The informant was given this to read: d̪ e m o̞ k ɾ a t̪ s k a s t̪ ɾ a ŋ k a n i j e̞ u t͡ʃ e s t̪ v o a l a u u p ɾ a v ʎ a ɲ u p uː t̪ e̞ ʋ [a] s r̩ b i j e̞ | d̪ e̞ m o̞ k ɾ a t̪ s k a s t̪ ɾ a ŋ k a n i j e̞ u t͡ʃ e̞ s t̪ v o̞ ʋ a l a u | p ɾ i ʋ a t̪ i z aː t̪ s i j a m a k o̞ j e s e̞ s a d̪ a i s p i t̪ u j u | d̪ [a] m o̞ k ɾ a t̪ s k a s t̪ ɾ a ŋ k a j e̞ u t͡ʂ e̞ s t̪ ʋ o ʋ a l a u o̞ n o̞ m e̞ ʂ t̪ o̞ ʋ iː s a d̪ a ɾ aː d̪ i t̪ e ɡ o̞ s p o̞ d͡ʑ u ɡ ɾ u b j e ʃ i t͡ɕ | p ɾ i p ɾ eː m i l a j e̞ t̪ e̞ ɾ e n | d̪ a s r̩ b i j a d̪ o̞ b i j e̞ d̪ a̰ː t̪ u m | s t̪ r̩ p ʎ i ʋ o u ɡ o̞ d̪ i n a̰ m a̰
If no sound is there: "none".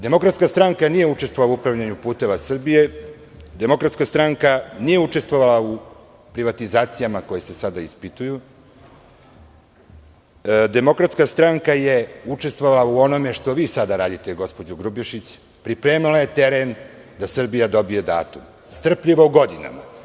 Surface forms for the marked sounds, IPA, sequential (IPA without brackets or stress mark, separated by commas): a, e